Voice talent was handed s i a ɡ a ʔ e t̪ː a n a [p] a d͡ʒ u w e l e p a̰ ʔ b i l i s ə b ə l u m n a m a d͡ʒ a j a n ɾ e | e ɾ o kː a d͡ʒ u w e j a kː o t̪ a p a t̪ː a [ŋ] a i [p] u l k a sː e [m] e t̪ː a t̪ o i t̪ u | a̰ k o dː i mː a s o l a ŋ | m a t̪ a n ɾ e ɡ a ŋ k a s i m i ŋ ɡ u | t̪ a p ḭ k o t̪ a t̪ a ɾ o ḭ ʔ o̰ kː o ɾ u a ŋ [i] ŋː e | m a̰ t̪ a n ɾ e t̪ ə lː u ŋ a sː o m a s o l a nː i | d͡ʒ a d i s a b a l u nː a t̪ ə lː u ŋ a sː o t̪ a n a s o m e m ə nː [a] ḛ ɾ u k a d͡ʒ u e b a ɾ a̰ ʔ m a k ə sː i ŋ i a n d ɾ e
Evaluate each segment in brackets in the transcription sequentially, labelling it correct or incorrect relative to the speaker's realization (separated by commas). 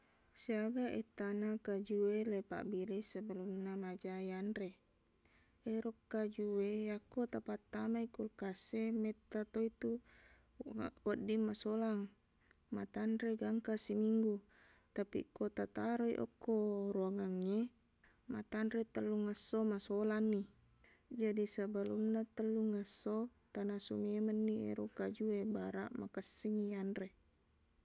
incorrect, incorrect, incorrect, correct, incorrect, incorrect